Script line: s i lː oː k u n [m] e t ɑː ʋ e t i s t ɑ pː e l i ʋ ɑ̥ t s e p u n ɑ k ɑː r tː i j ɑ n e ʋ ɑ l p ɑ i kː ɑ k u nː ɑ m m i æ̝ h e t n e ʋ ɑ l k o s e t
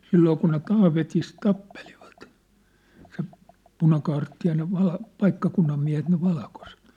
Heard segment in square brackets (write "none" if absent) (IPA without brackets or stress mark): n